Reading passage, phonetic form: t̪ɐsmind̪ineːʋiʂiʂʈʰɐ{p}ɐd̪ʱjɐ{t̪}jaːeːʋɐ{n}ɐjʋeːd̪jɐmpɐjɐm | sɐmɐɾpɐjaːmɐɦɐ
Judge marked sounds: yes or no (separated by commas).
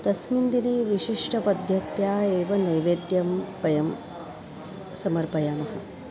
yes, yes, yes